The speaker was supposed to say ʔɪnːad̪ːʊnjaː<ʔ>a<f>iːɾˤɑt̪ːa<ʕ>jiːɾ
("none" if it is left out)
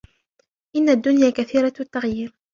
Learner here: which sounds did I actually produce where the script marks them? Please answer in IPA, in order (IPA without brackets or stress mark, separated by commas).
k, θ, ɣ